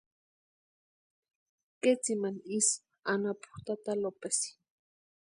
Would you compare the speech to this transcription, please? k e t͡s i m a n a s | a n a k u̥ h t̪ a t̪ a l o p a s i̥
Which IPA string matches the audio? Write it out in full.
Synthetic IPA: k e t͡s i m a n i s | a n a p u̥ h t̪ a t̪ a l o p e s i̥